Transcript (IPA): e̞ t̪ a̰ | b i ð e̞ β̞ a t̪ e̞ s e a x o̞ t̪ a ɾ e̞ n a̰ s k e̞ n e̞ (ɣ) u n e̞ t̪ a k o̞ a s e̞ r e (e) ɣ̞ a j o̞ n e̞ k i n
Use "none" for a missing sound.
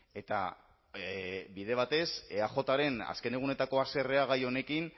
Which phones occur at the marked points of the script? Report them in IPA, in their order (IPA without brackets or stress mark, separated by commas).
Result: ɣ, a